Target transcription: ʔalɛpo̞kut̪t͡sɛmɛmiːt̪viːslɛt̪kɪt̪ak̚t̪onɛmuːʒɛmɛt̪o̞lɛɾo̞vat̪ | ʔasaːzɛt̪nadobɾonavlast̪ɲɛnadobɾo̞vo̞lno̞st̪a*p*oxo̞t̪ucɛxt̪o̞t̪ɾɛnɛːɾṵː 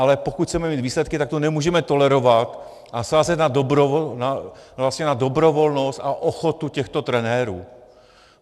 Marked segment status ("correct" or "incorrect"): incorrect